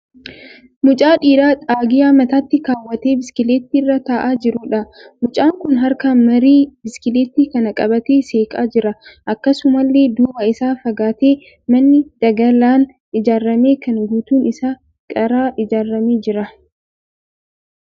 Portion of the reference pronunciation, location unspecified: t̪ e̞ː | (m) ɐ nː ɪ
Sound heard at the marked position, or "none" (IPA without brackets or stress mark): m